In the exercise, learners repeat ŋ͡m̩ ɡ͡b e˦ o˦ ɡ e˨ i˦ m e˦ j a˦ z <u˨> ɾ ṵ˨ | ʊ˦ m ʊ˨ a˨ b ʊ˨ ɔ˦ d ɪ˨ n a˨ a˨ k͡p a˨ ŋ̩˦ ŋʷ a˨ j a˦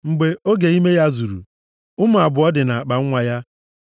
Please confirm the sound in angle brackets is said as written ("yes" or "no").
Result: yes